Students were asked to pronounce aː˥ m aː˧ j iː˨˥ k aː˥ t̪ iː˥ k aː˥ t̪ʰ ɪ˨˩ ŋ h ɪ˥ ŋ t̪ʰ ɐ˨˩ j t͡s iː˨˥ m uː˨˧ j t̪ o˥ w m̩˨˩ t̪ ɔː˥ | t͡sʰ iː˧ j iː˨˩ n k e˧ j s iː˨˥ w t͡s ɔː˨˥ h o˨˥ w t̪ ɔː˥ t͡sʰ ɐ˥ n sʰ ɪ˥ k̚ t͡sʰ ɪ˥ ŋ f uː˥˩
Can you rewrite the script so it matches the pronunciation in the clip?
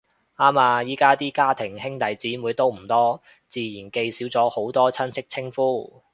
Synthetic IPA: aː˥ m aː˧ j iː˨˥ k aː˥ t̪ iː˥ k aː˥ t̪ʰ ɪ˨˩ ŋ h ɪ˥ ŋ t̪ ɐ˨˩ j t͡s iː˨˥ m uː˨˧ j t̪ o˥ w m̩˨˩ t̪ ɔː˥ | t͡s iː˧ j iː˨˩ n k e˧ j s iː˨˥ w t͡s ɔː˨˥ h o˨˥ w t̪ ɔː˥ t͡sʰ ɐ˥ n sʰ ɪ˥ k̚ t͡sʰ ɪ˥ ŋ f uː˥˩